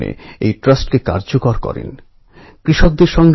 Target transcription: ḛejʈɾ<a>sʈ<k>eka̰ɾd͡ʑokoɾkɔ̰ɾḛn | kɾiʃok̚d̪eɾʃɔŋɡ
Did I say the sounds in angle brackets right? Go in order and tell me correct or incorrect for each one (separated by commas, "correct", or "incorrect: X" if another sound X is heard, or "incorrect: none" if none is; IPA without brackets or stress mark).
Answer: correct, correct